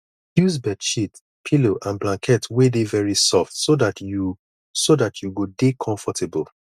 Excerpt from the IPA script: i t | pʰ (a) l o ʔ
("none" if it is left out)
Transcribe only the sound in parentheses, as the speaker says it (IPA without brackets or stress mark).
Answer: i